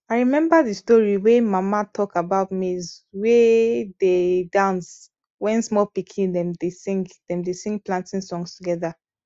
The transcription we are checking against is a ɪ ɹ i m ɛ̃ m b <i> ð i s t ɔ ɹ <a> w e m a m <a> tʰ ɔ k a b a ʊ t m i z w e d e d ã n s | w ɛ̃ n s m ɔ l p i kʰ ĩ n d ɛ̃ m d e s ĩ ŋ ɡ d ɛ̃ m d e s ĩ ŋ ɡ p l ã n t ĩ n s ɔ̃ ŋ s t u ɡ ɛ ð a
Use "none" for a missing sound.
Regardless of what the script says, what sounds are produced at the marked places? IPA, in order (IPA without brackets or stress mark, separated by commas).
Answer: a, i, a